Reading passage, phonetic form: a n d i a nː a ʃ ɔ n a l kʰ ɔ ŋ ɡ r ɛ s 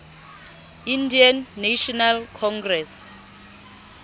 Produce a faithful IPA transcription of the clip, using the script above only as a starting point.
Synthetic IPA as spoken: i n d i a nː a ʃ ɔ n a l kʰ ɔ ŋ ɡ r ɛ s